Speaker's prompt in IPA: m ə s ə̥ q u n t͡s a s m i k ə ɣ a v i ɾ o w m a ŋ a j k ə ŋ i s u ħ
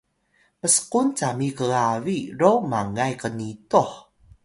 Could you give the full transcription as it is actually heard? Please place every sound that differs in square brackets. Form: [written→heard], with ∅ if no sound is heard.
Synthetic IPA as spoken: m ə s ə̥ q u n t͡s a [s→∅] m i k ə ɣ a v i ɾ o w m a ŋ a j k ə [ŋ→n] i [s→t] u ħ

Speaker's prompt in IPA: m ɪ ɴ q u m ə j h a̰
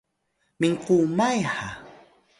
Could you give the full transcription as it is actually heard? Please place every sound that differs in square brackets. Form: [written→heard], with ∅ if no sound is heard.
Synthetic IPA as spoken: m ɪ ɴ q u m [ə→a] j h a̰

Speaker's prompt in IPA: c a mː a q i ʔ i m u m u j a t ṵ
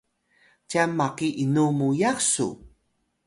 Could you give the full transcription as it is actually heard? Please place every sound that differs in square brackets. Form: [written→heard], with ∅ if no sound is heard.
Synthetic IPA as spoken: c a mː a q i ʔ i [m→n] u m u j a [t→s] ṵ

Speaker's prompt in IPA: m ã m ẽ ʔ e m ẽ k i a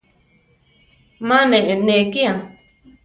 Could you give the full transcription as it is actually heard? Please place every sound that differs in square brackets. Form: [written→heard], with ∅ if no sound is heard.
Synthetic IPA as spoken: m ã [m→n] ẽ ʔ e [m→n] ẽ k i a

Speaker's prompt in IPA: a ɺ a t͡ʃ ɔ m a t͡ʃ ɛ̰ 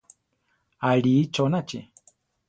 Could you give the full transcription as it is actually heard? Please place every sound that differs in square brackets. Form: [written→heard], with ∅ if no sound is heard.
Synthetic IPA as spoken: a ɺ [a→i] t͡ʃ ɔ [m→n] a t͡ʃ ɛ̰

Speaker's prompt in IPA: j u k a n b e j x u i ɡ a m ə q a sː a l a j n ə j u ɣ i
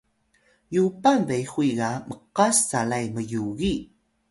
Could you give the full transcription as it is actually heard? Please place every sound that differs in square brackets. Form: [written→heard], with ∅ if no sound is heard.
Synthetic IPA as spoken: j u [k→p] a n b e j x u i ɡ a m ə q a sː a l a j [n→m] ə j u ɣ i

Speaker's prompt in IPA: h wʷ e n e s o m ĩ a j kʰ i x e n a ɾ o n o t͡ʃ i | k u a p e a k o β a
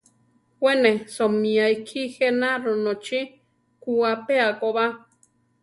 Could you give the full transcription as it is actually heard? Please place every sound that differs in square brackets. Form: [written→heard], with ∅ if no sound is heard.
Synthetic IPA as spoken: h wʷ e n e s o m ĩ a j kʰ i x e n a ɾ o n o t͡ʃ i | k u a p e a k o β a

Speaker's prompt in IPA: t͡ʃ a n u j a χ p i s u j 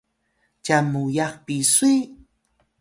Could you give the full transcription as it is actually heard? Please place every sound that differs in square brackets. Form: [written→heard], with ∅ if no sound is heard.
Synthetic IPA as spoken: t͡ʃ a [n→m] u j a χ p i s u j

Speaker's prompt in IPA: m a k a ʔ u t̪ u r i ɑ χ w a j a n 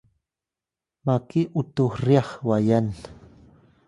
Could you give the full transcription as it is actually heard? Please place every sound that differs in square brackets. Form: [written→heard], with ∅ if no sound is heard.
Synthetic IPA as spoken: m a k [a→i] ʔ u t̪ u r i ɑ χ w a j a n

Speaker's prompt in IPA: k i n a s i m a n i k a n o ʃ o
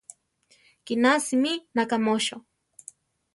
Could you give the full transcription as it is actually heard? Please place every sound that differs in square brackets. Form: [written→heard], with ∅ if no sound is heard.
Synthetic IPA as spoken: k i n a s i m [a→i] n [i→a] k a [n→m] o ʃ o

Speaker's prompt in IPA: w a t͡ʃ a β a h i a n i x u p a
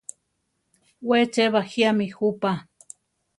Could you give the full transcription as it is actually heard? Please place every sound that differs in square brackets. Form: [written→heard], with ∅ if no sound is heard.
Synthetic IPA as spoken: w [a→e] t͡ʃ [a→e] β a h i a [n→m] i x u p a

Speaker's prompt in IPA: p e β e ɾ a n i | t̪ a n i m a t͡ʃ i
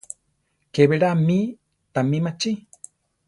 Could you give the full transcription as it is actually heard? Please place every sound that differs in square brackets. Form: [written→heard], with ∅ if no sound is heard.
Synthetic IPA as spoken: [p→k] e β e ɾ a [n→m] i | t̪ a [n→m] i m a t͡ʃ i

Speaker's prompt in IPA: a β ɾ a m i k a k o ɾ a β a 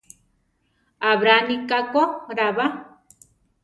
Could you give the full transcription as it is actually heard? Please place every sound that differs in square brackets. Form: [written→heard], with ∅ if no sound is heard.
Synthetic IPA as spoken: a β ɾ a [m→n] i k a k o ɾ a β a

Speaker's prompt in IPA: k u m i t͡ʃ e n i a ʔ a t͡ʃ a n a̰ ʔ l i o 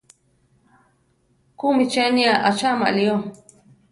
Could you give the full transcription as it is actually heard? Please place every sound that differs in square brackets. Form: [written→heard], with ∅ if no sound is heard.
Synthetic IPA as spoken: k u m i t͡ʃ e n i a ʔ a t͡ʃ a [n→m] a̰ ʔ l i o

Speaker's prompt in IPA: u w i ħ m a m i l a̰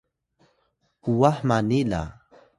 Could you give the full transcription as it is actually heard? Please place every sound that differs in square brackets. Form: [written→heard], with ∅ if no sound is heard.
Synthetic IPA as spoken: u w [i→a] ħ m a [m→n] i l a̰

